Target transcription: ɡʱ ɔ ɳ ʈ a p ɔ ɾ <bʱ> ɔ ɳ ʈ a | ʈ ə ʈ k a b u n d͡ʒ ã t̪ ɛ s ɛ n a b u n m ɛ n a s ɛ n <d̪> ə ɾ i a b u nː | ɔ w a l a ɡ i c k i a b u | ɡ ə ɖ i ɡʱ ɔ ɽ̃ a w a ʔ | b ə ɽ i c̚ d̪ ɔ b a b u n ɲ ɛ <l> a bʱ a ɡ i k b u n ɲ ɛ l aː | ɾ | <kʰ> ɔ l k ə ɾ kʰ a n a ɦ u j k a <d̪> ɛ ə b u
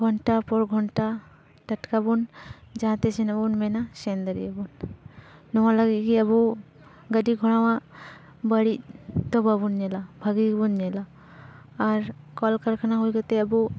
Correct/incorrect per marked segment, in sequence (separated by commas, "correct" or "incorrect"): incorrect, correct, correct, incorrect, incorrect